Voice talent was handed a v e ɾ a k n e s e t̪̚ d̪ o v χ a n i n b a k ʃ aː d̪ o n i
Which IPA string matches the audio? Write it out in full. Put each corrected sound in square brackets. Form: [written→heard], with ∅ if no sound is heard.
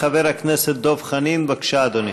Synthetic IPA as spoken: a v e ɾ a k n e s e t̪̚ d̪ o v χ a n i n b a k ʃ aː d̪ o n i